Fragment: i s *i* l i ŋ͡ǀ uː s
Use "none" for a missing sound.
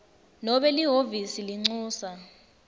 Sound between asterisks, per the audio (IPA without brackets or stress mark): i